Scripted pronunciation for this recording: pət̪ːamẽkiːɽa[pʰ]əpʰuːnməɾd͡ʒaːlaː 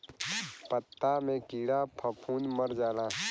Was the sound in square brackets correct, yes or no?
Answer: yes